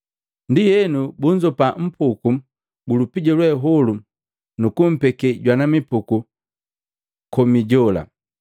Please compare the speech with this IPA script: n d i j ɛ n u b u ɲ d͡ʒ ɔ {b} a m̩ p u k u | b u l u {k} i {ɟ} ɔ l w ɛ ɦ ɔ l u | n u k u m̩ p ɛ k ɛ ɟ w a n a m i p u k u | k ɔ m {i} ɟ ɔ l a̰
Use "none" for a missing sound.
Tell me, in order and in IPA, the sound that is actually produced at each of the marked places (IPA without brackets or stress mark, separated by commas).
p, p, ɟ, i